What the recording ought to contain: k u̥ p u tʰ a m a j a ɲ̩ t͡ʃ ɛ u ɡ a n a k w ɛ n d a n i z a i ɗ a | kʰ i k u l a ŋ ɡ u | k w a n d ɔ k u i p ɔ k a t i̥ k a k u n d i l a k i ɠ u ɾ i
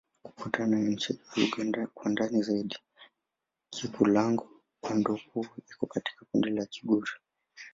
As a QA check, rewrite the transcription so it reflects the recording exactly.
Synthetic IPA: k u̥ k u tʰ a n a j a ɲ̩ t͡ʃ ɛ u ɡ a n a k w a n d a n i z a i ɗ i | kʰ i k u l a ŋ ɡ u | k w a n d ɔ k u i k ɔ k a t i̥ k a k u n d i l a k i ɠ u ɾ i